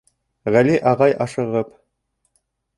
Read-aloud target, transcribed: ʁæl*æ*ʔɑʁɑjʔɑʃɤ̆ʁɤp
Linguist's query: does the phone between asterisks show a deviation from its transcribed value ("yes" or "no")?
yes